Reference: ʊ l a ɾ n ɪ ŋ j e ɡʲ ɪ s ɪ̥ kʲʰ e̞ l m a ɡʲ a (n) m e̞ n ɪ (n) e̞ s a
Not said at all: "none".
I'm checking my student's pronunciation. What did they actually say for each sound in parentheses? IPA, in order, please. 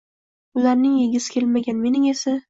n, ŋ

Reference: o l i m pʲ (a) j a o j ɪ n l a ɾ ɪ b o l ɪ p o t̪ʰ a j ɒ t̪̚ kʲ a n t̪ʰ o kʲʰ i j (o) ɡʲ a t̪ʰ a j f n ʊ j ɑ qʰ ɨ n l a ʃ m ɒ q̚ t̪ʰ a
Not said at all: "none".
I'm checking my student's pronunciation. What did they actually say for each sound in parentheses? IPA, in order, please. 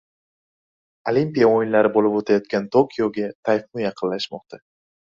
i, o

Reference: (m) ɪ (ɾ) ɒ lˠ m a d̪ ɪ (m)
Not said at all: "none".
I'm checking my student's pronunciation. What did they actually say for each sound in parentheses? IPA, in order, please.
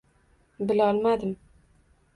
b, l, m

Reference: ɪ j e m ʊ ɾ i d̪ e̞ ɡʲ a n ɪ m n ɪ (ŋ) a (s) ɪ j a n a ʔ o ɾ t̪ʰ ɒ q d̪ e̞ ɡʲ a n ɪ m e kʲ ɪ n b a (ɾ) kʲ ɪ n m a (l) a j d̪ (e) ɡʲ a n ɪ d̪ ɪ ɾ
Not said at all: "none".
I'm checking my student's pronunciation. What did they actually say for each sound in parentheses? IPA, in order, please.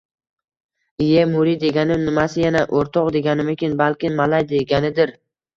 m, s, l, l, e

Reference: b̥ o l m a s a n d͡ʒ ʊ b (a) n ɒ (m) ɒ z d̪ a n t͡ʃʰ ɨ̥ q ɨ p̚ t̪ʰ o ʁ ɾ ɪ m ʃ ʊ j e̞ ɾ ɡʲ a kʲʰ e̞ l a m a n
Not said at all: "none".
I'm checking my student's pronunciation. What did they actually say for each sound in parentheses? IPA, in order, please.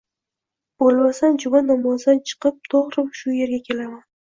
a, m

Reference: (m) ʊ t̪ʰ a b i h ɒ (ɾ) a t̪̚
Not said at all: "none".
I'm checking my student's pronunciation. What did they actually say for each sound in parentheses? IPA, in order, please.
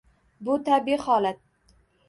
b, l

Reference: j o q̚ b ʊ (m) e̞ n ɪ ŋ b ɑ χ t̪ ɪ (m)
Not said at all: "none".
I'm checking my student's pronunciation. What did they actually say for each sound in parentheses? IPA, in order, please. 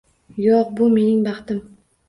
m, m

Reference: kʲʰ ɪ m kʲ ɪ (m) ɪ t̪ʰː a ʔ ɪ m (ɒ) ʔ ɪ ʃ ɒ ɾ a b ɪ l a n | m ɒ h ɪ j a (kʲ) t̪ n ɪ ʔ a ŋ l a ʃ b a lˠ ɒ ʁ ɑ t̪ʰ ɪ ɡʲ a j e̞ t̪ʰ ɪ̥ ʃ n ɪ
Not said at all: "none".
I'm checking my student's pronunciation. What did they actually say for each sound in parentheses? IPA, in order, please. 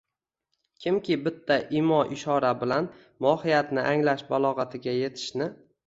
b, ɒ, none

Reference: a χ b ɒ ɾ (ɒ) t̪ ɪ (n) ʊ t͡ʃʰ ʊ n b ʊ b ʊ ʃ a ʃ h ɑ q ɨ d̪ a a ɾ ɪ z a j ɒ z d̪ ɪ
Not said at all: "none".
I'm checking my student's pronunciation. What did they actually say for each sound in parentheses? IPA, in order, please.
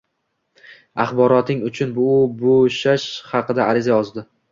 ɒ, ŋ

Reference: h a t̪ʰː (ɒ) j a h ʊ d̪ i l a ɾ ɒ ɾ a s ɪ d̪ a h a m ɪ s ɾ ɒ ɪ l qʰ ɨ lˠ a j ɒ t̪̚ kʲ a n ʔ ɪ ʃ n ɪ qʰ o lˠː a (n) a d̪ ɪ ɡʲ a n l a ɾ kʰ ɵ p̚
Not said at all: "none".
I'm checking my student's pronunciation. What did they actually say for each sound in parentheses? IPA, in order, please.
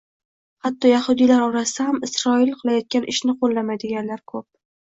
ɒ, m

